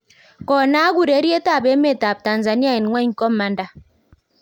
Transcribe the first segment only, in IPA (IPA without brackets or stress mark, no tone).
k